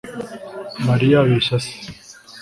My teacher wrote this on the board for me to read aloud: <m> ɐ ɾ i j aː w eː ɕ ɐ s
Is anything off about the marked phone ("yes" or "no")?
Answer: no